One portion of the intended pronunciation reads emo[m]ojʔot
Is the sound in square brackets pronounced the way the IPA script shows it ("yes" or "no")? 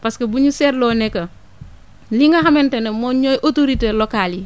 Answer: no